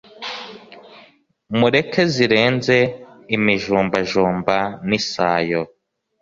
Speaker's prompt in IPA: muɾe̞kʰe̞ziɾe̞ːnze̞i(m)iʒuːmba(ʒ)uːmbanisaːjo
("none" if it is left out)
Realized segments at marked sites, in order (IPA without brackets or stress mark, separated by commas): m, ʒ